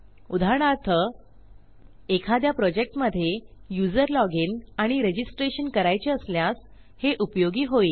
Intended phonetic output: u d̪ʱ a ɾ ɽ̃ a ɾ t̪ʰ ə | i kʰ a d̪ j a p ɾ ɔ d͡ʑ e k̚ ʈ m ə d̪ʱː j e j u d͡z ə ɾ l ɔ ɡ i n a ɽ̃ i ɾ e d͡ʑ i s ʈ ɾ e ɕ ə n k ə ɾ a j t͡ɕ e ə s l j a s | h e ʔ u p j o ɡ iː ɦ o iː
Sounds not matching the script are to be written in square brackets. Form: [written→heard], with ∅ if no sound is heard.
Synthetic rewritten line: u d̪ʱ a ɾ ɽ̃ a ɾ t̪ʰ ə | [i→e] kʰ a d̪ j a p ɾ ɔ d͡ʑ e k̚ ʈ m ə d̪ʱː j e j u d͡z ə ɾ l ɔ ɡ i n a ɽ̃ i ɾ e d͡ʑ i s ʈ ɾ e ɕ ə n k ə ɾ a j t͡ɕ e ə s l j a s | h e ʔ u p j o ɡ iː ɦ o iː